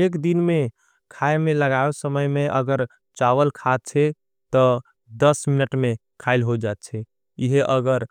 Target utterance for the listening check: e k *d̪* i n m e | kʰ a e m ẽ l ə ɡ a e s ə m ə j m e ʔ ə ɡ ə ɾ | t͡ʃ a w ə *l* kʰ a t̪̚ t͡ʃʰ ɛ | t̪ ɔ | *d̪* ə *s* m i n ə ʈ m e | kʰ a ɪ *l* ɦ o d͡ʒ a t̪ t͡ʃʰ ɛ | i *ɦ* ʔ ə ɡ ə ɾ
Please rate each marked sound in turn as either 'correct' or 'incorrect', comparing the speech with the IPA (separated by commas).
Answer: correct, correct, correct, correct, correct, correct